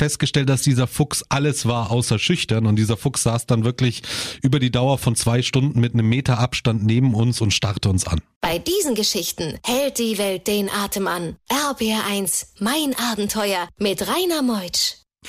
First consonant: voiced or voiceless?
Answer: voiceless